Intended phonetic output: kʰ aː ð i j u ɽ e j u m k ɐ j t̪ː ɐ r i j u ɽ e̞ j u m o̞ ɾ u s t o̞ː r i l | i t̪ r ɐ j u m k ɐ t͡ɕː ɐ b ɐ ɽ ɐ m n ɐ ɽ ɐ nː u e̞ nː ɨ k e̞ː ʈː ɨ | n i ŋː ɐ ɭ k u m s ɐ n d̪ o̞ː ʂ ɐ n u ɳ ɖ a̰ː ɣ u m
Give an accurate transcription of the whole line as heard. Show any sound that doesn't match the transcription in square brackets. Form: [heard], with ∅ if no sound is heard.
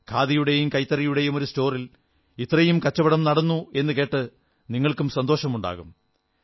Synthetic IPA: kʰ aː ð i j u ɽ e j u m k ɐ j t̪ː ɐ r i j u ɽ e̞ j u m o̞ ɾ u s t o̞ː r i l | i t̪ r ɐ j u m k ɐ t͡ɕː ɐ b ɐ ɽ ɐ m n ɐ ɽ ɐ nː u e̞ nː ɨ k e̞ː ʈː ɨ | n i ŋː ɐ ɭ k u m s ɐ n d̪ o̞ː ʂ ɐ [m] u ɳ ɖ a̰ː ɣ u m